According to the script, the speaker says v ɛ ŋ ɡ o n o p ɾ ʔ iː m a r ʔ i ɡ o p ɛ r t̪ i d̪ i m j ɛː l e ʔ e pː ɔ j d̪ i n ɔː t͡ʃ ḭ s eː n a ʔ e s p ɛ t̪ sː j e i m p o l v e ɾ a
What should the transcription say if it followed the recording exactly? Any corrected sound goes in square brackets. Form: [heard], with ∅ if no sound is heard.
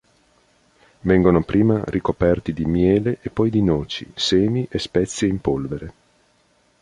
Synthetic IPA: v ɛ ŋ ɡ o n o p ɾ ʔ iː m a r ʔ i [k] o p ɛ r t̪ i d̪ i m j ɛː l e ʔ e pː ɔ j d̪ i n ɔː t͡ʃ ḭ s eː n [i] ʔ e s p ɛ t̪ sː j e i m p o l v e ɾ [e]